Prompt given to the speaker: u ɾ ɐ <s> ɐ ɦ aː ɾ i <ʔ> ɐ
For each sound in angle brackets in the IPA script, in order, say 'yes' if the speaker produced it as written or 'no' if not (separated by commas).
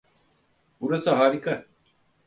yes, no